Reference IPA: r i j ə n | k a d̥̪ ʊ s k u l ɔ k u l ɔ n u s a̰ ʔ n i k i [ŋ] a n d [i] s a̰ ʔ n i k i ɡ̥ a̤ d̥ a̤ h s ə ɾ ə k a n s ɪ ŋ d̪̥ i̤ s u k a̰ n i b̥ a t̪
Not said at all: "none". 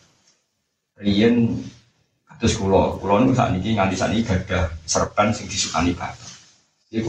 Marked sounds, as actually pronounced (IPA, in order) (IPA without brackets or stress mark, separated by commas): ŋ, i